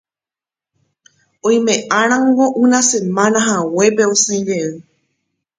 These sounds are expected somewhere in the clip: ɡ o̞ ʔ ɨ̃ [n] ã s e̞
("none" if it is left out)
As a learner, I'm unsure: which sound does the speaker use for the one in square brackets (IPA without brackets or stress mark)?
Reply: n